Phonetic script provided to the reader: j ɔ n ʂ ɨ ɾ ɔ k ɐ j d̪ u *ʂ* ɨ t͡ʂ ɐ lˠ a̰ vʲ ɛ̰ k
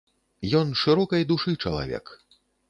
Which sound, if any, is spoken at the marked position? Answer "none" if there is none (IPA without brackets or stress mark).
ʂ